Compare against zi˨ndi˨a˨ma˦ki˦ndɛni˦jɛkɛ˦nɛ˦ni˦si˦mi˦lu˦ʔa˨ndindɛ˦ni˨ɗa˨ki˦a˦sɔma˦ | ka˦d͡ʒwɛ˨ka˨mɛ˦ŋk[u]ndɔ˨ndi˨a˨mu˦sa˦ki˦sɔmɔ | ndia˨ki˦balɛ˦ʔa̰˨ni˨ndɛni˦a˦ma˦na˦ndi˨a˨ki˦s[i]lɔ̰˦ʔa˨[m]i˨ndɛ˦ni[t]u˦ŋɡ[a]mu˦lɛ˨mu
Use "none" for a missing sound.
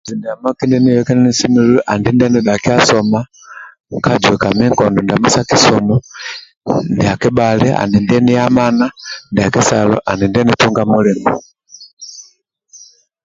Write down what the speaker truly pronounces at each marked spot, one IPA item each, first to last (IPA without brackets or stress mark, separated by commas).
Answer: ɔ, a, n, t, a